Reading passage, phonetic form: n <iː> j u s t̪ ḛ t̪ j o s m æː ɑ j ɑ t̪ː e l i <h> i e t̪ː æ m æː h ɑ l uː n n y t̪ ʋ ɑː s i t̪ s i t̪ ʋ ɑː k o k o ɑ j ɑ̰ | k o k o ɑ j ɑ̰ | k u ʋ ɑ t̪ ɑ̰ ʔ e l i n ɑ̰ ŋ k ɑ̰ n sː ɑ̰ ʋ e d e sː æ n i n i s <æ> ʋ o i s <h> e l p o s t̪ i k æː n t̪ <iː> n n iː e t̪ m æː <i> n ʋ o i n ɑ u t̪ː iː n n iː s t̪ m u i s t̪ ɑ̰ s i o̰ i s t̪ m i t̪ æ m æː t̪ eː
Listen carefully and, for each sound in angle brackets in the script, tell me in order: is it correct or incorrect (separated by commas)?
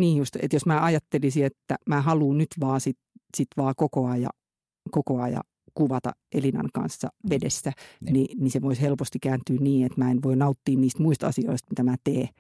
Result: correct, incorrect, incorrect, correct, incorrect, incorrect